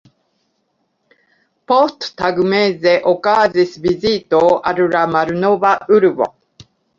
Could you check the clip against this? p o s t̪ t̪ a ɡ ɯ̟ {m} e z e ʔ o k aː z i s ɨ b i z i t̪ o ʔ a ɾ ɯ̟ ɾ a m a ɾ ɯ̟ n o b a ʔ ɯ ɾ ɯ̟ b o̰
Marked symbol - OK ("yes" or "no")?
yes